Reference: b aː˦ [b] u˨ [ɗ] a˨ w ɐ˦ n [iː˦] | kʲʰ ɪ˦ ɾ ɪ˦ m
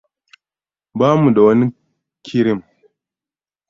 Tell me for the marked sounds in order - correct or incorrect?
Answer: incorrect: m, incorrect: d, incorrect: i˦

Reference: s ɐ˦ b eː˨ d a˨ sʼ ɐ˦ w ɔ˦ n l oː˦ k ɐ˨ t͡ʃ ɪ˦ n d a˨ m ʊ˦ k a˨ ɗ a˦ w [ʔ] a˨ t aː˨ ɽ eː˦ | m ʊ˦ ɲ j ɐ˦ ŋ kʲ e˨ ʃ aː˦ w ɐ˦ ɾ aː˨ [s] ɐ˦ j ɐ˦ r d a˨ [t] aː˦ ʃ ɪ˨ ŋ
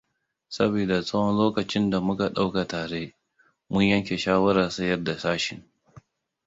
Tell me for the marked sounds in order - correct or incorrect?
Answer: incorrect: k, correct, incorrect: s

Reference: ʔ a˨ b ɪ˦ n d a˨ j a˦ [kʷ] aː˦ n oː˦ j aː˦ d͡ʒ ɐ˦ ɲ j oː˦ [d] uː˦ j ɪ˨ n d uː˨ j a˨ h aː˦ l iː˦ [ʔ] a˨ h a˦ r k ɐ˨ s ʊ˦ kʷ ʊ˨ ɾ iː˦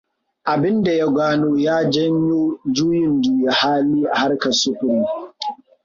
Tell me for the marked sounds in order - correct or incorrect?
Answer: incorrect: ɡʷ, incorrect: d͡ʒ, correct

